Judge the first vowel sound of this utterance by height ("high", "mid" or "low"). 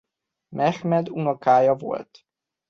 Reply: mid